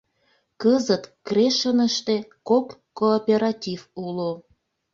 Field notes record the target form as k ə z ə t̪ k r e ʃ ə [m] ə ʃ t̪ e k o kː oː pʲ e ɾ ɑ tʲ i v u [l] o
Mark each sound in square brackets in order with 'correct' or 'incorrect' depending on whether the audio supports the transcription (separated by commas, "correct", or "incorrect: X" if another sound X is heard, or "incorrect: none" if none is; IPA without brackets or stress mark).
incorrect: n, correct